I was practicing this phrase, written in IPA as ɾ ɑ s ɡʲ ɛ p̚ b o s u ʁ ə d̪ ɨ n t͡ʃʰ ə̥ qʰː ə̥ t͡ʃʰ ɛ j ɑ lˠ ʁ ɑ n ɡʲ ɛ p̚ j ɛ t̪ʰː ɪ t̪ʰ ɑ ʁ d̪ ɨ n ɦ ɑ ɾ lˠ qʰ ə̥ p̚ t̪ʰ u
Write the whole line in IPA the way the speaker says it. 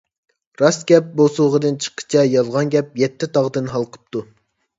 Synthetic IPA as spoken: ɾ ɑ s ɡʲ ɛ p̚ b o s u ʁ ə d̪ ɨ n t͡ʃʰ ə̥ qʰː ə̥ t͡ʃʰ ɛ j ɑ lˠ ʁ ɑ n ɡʲ ɛ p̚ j ɛ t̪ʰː ɪ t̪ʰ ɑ ʁ d̪ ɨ n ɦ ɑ lˠ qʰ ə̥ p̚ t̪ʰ u

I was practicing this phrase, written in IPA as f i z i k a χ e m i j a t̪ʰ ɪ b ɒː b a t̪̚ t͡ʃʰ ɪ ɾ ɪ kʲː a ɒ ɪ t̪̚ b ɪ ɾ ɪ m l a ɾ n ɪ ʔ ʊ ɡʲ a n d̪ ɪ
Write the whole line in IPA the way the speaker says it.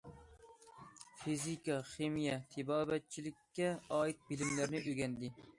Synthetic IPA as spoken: f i z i k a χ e m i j a t̪ʰ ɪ b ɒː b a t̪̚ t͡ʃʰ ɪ l ɪ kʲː a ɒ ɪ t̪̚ b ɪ l ɪ m l a ɾ n ɪ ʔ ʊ ɡʲ a n d̪ ɪ

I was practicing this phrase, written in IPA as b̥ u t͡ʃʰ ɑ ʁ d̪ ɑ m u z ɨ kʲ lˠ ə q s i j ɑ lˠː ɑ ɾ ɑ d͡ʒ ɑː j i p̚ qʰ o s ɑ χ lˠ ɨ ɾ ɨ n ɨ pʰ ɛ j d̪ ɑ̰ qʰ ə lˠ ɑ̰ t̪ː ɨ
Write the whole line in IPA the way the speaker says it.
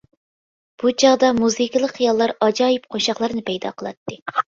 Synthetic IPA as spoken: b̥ u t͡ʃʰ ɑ ʁ d̪ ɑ m u z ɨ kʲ lˠ ə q χ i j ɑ lˠː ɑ ɾ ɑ d͡ʒ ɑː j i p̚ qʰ o ʃ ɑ χ lˠ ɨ ɾ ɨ n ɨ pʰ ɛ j d̪ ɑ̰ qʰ ə lˠ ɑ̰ t̪ː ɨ

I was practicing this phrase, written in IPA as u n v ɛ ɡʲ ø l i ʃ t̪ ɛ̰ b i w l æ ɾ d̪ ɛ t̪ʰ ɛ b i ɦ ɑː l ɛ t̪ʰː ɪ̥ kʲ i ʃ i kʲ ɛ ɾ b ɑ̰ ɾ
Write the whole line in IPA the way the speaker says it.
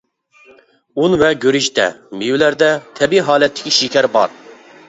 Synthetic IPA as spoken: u n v ɛ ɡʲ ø ɾ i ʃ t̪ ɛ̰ m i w l æ ɾ d̪ ɛ t̪ʰ ɛ b i ɦ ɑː l ɛ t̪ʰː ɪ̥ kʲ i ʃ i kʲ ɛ ɾ b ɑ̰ ɾ

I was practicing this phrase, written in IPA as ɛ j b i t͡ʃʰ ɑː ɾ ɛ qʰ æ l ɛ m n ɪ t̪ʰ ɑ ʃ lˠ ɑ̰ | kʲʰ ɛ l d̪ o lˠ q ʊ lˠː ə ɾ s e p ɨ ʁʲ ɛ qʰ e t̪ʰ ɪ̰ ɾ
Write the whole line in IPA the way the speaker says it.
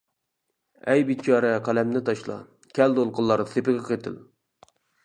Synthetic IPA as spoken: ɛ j b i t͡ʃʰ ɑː ɾ ɛ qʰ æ l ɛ m n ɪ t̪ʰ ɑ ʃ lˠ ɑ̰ | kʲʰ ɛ l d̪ o lˠ q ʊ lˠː ɑ ɾ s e p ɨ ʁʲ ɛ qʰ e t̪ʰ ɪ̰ l

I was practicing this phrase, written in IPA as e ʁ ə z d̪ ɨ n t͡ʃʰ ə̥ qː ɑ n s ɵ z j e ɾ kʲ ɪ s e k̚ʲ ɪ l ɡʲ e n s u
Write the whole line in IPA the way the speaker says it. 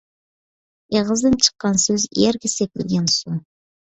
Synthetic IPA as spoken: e ʁ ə z d̪ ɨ n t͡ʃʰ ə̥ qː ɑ n s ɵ z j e ɾ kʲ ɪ s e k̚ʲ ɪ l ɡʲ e n s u

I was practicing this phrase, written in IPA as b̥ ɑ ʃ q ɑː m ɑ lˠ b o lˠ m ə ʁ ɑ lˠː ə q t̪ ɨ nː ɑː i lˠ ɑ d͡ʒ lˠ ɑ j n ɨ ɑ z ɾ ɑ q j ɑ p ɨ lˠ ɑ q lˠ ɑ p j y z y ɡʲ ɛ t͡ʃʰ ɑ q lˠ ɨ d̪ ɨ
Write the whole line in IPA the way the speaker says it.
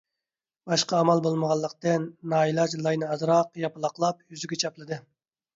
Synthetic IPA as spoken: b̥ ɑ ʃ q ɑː m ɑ lˠ b o lˠ m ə ʁ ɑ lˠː ə q t̪ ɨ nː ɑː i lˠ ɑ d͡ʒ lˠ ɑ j n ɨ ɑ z ɾ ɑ q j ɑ p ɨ lˠ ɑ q lˠ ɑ p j y z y ɡʲ ɛ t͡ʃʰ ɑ p lˠ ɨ d̪ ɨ

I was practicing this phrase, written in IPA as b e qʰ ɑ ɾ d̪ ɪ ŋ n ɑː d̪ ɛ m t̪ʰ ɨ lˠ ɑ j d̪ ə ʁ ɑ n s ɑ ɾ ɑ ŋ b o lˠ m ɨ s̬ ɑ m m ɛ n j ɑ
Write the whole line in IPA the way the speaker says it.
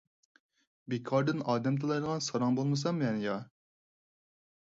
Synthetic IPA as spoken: b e kʰ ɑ ɾ d̪ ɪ n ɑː d̪ ɛ m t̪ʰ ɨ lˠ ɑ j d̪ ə ʁ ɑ n s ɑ ɾ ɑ ŋ b o lˠ m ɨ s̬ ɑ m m ɛ n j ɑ

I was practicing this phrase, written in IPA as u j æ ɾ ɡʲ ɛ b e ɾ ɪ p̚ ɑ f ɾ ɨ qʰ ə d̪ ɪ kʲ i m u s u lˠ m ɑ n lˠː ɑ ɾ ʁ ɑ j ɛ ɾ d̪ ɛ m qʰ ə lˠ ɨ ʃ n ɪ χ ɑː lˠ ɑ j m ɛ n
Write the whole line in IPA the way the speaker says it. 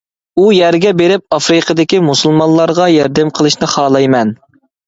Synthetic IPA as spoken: u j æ ɾ ɡʲ ɛ b e ɾ ɪ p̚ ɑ f ɾ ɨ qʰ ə d̪ ɪ kʲ i m u s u lˠ m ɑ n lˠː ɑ ɾ ʁ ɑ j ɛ ɾ d̪ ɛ m qʰ ə lˠ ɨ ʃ n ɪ χ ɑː lˠ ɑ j m ɛ n

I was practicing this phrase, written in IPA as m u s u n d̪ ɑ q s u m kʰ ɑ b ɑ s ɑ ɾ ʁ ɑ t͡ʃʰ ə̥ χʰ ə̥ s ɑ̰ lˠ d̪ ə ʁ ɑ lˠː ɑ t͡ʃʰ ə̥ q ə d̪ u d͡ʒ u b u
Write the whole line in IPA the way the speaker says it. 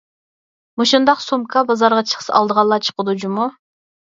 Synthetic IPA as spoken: m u ʃ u n d̪ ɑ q s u m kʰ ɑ b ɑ z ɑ ɾ ʁ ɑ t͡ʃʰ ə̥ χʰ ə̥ s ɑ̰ lˠ d̪ ə ʁ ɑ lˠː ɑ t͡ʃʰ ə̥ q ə d̪ u d͡ʒ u m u

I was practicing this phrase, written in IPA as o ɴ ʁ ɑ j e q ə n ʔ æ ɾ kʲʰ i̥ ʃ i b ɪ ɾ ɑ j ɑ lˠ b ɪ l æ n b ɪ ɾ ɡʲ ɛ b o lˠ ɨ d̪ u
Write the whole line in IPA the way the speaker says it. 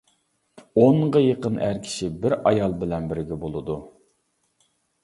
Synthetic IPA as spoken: o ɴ ʁ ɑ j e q ə n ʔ æ ɾ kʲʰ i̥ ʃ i b ɪ ɾ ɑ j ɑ lˠ b ɪ l ɛ n b ɪ ɾ ɡʲ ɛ b o lˠ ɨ d̪ u

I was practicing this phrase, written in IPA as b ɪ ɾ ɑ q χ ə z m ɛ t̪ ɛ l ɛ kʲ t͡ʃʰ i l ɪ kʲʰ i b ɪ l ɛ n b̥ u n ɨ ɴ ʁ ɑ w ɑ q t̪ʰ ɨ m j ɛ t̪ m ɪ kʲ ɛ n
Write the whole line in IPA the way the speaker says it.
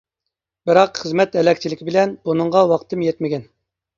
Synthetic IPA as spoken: b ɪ ɾ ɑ q χ ə z m ɛ t̪ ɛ l ɛ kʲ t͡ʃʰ i l ɪ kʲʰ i b ɪ l ɛ n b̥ u n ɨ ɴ ʁ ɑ w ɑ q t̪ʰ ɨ m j ɛ t̪ m ɪ ɡʲ ɛ n

